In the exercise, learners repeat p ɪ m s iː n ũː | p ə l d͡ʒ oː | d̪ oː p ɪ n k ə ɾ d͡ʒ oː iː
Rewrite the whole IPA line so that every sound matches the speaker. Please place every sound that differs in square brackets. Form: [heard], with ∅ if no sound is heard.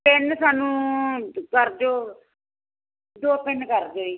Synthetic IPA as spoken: p ɪ [n] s [aː] n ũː | [k] ə [ɾ] d͡ʒ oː | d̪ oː p ɪ n k ə ɾ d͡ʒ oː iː